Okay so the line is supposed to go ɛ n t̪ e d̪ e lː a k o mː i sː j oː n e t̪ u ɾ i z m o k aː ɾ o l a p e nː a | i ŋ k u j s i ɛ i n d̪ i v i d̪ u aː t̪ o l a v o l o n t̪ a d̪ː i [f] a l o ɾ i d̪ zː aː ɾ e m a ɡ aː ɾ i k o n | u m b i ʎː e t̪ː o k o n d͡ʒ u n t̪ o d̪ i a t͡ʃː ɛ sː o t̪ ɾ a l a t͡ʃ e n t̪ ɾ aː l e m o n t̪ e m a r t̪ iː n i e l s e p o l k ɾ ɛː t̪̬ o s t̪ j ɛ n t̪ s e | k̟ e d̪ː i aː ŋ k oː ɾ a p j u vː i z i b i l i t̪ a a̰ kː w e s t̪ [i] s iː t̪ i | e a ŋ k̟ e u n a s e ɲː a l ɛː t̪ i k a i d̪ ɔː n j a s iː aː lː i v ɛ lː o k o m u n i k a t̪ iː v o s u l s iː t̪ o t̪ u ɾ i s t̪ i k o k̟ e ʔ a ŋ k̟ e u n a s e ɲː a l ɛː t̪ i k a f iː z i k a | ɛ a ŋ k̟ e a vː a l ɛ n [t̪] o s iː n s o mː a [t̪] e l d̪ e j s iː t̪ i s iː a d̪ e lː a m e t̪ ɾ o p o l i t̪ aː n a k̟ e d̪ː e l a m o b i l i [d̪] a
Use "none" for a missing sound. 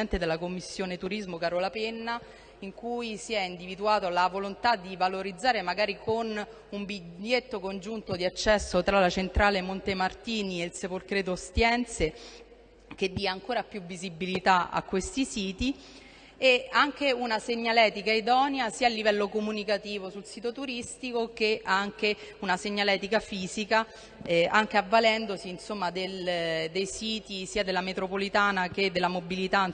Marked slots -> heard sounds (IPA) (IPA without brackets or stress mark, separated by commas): v, i, d̪, d̪, t̪